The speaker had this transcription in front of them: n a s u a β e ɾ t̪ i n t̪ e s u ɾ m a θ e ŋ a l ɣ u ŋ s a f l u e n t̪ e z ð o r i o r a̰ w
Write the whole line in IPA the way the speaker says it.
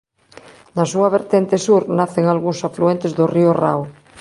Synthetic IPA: n a s u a β e ɾ t̪ e n t̪ e s u ɾ n a θ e ŋ a l ɣ u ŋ s a f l u e n t̪ e z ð o r i o r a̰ w